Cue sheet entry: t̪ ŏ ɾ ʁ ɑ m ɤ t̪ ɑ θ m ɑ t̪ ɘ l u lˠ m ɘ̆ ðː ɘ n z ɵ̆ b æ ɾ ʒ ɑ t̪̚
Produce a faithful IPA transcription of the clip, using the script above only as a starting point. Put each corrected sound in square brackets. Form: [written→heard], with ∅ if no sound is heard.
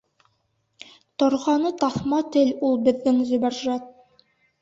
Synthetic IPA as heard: t̪ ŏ ɾ ʁ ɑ [m→n] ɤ t̪ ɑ θ m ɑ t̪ ɘ l u lˠ [m→b] ɘ̆ ðː ɘ [n→ŋ] z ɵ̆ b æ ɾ ʒ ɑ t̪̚